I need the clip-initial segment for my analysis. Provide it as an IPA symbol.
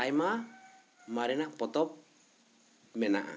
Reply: a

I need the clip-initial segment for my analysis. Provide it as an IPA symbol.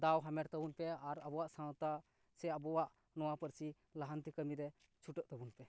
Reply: d̪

